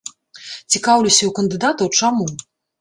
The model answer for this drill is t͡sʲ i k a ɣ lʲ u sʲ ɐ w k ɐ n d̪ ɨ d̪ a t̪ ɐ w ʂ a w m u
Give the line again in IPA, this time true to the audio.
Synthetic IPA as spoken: t͡sʲ i k a w lʲ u sʲ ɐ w k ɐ n d̪ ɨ d̪ a t̪ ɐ w t͡ʂ a m u